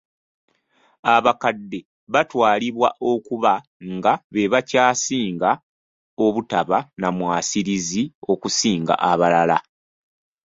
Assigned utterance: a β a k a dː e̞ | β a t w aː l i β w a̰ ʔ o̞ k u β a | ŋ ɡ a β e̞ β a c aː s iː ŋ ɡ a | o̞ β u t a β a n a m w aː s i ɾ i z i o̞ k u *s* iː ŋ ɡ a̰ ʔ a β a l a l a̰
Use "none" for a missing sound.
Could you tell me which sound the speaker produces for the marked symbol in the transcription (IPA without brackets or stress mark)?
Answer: s